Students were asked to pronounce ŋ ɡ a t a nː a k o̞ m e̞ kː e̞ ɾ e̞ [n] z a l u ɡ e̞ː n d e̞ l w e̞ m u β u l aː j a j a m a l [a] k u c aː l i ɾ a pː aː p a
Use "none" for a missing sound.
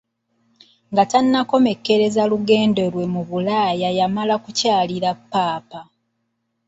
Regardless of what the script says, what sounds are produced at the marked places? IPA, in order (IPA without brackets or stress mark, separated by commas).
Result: none, a